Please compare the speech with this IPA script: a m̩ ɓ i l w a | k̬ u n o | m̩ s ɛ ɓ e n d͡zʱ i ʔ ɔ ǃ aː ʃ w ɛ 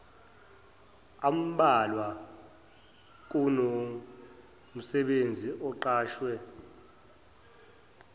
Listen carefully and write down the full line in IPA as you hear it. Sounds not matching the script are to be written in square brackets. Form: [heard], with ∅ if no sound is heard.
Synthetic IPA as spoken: a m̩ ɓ [a] l w a | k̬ u n o | m̩ s ɛ ɓ e n d͡zʱ i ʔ ɔ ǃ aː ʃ w ɛ